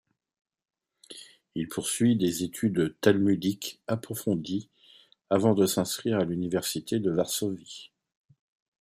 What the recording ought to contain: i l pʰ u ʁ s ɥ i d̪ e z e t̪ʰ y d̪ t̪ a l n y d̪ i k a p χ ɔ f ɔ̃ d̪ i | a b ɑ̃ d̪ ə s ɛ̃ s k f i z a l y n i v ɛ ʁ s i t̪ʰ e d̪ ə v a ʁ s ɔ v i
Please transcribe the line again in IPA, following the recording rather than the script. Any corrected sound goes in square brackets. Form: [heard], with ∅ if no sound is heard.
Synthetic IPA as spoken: i l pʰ u ʁ s ɥ i d̪ e z e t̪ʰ y d̪ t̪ a l [m] y d̪ i k a p χ ɔ f ɔ̃ d̪ i | a [v] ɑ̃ d̪ ə s ɛ̃ s k [χ] i [ʁ] a l y n i v ɛ ʁ s i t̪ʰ e d̪ ə v a ʁ s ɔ v i